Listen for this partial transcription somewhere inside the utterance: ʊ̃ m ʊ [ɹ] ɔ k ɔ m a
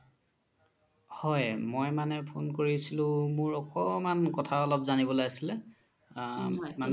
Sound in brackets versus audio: correct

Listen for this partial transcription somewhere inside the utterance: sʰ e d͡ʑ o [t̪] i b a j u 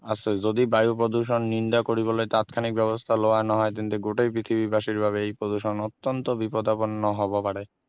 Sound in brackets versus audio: incorrect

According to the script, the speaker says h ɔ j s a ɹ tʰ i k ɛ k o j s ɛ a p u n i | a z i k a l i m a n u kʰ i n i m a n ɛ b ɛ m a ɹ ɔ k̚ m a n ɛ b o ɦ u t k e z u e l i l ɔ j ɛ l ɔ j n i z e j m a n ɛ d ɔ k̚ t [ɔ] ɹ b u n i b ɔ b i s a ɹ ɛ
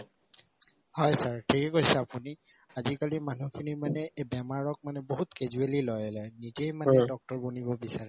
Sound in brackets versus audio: correct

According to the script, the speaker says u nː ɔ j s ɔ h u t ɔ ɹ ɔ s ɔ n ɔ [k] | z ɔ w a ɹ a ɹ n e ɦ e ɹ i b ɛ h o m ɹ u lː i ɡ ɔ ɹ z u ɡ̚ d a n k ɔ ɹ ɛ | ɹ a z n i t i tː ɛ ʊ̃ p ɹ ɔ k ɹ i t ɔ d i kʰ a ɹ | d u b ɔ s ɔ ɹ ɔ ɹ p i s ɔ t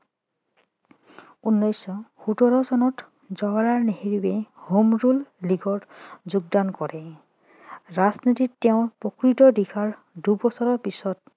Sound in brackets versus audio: incorrect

